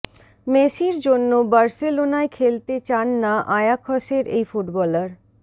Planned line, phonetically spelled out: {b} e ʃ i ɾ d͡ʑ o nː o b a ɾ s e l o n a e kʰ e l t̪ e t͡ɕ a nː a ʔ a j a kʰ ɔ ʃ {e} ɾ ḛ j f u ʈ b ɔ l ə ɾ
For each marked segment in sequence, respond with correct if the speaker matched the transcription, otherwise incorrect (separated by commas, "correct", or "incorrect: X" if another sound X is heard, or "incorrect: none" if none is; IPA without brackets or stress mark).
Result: incorrect: m, correct